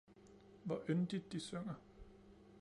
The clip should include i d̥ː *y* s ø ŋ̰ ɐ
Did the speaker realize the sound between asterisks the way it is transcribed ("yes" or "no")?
no